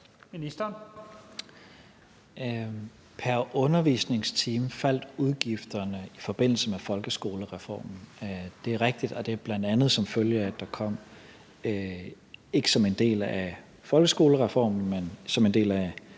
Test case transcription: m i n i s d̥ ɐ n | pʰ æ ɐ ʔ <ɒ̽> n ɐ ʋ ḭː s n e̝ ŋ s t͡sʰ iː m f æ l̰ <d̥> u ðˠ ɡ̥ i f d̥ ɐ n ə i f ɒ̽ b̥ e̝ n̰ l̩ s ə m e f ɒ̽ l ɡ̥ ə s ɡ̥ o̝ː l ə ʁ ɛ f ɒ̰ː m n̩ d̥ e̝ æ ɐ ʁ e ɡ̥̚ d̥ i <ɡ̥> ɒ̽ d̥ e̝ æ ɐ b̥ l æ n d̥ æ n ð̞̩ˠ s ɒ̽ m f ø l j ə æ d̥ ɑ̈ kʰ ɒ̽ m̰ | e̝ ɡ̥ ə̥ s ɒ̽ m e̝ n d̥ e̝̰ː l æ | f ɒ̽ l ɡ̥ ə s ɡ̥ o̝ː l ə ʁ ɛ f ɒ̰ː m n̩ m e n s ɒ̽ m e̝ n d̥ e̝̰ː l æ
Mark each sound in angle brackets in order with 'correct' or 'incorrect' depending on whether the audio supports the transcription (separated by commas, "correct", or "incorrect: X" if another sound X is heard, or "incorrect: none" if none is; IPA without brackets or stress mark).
incorrect: ɔ̽, correct, incorrect: d̥